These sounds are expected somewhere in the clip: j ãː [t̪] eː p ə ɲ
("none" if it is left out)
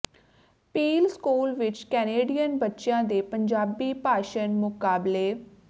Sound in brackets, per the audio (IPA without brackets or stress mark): d̪